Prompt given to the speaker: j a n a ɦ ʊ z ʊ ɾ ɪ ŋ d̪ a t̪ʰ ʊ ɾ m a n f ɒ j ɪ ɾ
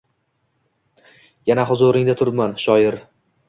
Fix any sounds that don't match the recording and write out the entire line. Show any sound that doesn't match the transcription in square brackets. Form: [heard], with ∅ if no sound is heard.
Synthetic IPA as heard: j a n a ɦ ʊ z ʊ ɾ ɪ ŋ d̪ a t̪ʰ ʊ ɾ m a n [ʃ] ɒ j ɪ ɾ